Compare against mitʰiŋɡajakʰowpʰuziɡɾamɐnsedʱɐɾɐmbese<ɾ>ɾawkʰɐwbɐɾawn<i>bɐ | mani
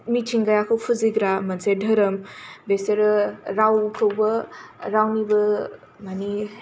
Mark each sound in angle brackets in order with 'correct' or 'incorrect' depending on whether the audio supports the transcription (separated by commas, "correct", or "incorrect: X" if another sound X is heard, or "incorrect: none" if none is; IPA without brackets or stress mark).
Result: correct, correct